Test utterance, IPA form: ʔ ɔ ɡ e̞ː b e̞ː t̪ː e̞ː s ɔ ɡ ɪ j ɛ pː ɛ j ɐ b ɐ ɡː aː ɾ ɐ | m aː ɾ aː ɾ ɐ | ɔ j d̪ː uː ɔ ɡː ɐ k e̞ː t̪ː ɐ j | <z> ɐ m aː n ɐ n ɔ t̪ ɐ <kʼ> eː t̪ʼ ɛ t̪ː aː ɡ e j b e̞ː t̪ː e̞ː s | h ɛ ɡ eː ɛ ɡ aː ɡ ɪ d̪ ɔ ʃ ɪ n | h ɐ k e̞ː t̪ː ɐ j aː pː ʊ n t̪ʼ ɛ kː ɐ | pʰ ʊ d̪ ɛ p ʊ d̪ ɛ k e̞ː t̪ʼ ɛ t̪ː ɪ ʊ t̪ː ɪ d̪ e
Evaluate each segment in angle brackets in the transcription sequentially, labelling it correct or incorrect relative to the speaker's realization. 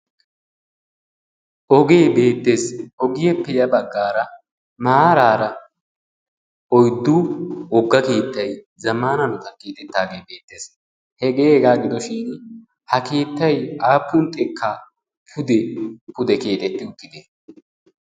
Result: correct, incorrect: k

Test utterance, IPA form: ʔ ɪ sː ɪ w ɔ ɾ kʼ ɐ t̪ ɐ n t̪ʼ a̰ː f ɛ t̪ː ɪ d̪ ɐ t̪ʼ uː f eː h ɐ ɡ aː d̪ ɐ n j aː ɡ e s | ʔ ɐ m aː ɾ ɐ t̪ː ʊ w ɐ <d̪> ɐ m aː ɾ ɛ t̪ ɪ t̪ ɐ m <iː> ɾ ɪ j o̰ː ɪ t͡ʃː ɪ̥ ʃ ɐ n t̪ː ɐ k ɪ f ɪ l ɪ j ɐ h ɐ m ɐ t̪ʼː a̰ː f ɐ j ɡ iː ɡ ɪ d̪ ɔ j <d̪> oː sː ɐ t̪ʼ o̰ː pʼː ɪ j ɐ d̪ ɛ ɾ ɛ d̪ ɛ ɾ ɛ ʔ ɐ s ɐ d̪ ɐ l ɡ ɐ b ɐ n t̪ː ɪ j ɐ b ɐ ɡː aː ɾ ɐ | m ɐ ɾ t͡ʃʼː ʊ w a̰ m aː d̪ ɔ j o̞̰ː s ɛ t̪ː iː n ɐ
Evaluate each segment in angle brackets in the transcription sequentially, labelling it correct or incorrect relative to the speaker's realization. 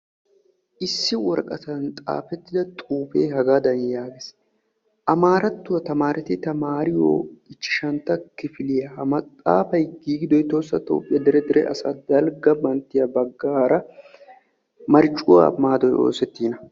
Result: incorrect: t̪, incorrect: aː, incorrect: t̪

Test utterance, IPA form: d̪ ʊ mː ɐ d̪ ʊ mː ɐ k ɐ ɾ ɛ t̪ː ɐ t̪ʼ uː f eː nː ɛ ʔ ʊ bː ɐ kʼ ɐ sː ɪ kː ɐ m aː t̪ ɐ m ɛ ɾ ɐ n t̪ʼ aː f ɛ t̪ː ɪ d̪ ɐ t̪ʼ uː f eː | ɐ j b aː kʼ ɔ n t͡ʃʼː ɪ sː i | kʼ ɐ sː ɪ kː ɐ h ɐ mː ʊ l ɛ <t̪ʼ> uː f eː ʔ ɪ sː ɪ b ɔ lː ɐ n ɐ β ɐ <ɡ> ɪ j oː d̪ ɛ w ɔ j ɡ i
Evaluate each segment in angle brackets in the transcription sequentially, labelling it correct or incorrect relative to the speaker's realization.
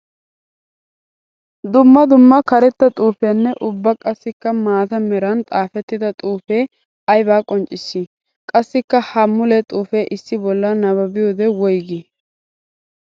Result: correct, incorrect: b

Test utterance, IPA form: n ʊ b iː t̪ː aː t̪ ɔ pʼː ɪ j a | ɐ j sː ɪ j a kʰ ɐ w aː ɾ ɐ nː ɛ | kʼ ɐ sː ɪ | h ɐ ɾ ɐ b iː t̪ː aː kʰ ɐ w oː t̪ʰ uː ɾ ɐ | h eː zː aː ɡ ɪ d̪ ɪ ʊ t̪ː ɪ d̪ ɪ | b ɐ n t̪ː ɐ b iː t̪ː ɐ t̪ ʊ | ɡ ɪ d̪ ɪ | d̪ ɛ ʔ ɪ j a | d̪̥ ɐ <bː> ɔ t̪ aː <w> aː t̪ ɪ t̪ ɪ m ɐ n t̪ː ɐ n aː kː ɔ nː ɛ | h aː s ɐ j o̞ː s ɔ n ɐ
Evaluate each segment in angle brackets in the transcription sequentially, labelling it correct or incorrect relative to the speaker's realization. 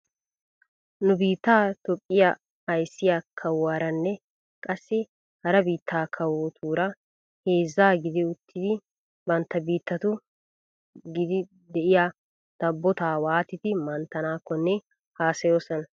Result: correct, correct

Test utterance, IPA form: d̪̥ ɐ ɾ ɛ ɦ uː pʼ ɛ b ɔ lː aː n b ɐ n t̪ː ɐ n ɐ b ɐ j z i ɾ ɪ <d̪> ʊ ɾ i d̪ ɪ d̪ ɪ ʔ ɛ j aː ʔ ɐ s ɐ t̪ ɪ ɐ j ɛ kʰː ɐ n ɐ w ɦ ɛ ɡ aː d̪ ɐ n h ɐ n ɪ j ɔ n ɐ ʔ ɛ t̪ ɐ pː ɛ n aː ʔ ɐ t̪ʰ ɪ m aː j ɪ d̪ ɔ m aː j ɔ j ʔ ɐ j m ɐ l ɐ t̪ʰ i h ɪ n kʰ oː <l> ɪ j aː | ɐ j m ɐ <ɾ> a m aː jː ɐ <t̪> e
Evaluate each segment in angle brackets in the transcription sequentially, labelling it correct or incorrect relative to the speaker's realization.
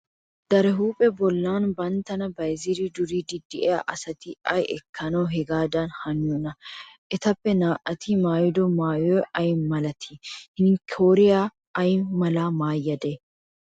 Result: correct, incorrect: ɾ, incorrect: l, incorrect: d̪

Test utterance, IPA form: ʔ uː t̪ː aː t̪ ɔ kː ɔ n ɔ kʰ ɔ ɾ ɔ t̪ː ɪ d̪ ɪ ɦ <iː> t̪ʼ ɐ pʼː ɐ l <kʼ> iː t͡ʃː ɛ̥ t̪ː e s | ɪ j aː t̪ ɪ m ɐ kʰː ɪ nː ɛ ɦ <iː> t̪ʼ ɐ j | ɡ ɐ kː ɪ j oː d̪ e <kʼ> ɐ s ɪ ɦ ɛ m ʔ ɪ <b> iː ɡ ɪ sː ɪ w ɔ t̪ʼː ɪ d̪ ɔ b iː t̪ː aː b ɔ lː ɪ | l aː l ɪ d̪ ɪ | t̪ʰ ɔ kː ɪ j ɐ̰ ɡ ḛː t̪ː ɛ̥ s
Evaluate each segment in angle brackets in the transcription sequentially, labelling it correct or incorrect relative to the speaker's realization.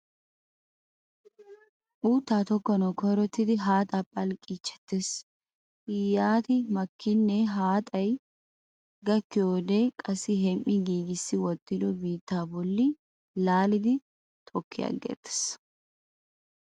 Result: incorrect: aː, correct, incorrect: aː, correct, incorrect: ɡ

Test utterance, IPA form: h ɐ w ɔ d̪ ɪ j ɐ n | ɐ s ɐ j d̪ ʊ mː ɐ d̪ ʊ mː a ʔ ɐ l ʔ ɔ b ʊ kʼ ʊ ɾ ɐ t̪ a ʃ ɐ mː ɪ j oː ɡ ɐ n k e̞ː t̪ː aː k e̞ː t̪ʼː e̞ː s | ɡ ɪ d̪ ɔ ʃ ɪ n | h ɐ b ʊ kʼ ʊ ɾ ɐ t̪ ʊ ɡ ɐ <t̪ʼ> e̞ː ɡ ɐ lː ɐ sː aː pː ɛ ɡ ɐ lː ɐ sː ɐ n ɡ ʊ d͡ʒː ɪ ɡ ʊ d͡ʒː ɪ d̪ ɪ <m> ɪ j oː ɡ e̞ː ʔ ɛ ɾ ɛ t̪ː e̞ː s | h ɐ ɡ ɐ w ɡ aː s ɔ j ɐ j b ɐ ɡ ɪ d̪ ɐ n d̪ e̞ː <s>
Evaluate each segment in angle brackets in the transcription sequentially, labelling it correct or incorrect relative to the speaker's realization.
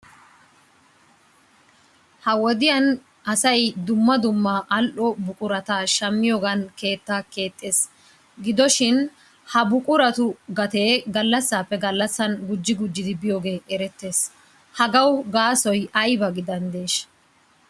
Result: incorrect: t̪, incorrect: b, incorrect: ʃ

